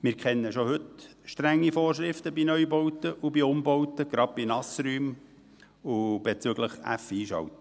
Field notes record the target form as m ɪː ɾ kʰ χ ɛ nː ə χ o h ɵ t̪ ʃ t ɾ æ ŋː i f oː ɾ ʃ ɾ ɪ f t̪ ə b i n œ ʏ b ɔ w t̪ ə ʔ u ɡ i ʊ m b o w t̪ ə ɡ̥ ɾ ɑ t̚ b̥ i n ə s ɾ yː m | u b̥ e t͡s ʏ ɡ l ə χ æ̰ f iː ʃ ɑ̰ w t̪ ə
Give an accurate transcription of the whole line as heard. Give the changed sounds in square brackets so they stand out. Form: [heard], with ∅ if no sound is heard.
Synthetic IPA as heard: m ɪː ɾ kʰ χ ɛ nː ə [ʃ] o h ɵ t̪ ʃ t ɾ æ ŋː i f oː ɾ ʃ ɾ ɪ f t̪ ə b i n œ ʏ b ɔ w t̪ ə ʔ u [b] i ʊ m b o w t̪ ə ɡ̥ ɾ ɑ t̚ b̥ i n [ɑ] s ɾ yː m | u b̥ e t͡s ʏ ɡ l ə χ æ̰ f iː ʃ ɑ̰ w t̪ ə